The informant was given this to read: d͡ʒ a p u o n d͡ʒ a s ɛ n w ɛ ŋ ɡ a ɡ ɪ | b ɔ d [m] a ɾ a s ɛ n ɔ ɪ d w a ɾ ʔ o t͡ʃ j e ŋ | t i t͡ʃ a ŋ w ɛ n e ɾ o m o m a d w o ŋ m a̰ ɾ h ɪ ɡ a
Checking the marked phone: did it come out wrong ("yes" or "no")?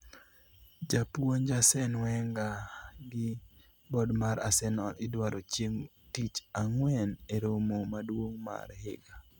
no